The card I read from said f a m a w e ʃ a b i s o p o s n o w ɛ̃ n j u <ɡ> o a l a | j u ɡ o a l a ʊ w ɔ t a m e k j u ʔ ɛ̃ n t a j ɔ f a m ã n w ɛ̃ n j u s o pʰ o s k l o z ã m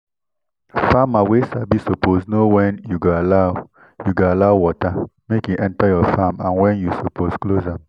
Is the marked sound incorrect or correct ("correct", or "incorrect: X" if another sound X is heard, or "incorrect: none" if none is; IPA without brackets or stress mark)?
correct